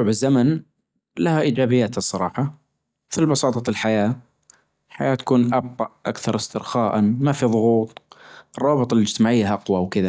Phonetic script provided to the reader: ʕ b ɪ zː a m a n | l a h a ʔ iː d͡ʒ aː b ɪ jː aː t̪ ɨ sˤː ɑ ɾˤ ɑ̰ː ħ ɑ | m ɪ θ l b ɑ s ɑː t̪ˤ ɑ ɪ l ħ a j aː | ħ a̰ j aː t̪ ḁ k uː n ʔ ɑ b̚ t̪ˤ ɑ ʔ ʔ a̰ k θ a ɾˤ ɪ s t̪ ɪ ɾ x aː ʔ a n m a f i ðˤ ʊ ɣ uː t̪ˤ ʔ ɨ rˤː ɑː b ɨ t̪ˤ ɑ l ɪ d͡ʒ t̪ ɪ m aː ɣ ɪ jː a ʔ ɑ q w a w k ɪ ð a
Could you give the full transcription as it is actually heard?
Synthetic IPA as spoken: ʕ b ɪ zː a m a n | l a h a ʔ iː d͡ʒ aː b ɪ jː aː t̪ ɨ sˤː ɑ ɾˤ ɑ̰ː ħ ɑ | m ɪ θ l b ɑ s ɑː t̪ˤ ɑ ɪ l ħ a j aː | ħ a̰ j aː t̪ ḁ k uː n ʔ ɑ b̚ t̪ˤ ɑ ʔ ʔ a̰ k θ ɑ ɾˤ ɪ s t̪ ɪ ɾ x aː ʔ a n m a f i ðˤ ʊ ɣ uː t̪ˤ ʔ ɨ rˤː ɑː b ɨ t̪ˤ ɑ l ɪ d͡ʒ t̪ ɪ m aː ʕ ɪ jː a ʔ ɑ q w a w k ɪ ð a

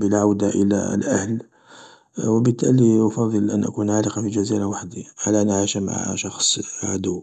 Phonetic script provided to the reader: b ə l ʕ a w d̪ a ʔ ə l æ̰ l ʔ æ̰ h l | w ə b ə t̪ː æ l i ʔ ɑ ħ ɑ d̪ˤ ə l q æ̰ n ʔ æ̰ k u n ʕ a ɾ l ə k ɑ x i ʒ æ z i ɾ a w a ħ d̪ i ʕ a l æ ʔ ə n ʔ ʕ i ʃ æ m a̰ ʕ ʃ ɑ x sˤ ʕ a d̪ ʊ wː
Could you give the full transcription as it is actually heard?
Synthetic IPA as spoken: b ə l ʕ a w d̪ a ʔ ə l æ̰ l ʔ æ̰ h l | w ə b ə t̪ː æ l i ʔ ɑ f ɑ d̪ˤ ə l ʔ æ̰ n ʔ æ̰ k u n ʕ a l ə q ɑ f i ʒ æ z i ɾ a w a ħ d̪ i ʕ a l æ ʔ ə n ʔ ʕ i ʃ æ m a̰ ʕ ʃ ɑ x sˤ ʕ a d̪ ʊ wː

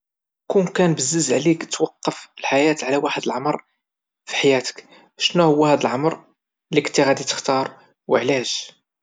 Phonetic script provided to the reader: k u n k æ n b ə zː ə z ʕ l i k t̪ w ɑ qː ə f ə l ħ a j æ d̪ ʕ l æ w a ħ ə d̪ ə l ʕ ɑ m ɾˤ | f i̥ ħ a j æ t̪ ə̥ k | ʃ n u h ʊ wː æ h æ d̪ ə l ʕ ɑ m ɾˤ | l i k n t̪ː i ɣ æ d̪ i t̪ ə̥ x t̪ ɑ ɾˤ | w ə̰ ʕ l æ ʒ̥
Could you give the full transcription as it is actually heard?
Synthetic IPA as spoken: k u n k æ n b ə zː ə z ʕ l i k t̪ w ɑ qː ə f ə l ħ a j æ t̪ ʕ l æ w a ħ ə d̪ ə l ʕ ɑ m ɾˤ | f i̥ ħ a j æ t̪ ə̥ k | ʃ n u h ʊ wː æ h æ d̪ ə l ʕ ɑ m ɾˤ | l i k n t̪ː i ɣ æ d̪ i t̪ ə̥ x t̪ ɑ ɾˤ | w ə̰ ʕ l æ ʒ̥

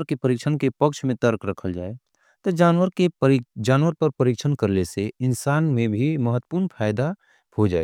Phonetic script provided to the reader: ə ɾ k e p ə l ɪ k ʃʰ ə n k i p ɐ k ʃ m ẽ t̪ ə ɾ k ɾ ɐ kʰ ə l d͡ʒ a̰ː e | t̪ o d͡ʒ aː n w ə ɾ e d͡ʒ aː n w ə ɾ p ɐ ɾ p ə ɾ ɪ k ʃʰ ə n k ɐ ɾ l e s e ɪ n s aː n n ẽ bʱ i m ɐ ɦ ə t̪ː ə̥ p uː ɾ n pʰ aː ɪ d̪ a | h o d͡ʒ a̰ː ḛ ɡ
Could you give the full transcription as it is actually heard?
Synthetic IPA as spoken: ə ɾ k e p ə ɾ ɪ k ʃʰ ə n k e p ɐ k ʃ m ẽ t̪ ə ɾ k ɾ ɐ kʰ ə l d͡ʒ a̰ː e | t̪ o d͡ʒ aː n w ə ɾ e d͡ʒ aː n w ə ɾ p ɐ ɾ p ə ɾ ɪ k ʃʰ ə n k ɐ ɾ l e s e ɪ n s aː n m ẽ bʱ i m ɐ ɦ ə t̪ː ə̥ p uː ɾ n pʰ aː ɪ d̪ a | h o d͡ʒ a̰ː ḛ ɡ

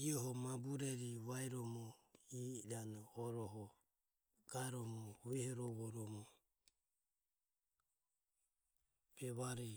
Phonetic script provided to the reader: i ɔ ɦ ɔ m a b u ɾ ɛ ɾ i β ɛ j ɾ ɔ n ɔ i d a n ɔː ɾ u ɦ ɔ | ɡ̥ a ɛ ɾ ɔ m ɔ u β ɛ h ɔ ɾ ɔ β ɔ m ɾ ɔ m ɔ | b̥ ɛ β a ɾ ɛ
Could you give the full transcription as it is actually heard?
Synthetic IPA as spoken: i ɔ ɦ ɔ m a b u ɾ ɛ ɾ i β a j ɾ ɔ m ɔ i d a n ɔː ɾ ɔ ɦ ɔ | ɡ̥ a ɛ ɾ ɔ m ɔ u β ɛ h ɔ ɾ ɔ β ɔ ɾ ɔ m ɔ | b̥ ɛ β a ɾ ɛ

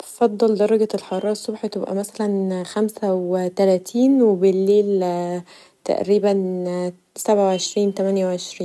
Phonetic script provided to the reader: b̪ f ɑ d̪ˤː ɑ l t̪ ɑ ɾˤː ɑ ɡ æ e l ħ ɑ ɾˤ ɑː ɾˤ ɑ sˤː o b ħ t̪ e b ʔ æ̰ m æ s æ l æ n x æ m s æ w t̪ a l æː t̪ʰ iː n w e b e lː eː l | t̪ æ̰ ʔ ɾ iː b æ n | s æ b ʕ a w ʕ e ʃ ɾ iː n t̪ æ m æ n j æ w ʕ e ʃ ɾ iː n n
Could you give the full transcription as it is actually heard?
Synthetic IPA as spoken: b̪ f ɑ d̪ˤː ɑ l d̪ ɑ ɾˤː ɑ ɡ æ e l ħ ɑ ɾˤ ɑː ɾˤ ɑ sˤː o b ħ t̪ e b ʔ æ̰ m æ s æ l æ n x æ m s æ w t̪ æ l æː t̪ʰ iː n w e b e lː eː l | t̪ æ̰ ʔ ɾ iː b æ n | s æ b ʕ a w ʕ e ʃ ɾ iː n t̪ æ m æ n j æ w ʕ e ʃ ɾ iː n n

